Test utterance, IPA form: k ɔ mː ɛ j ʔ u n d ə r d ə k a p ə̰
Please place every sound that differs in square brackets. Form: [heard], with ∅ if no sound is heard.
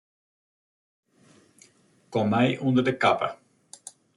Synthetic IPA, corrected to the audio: k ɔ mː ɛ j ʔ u n d ə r d ə k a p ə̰